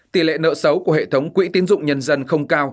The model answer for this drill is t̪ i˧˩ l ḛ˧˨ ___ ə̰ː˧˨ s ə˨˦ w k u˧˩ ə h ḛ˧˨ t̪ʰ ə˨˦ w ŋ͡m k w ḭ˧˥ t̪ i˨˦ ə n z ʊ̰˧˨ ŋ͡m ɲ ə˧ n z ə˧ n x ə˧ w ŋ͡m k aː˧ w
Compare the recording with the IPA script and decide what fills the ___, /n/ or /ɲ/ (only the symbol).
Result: n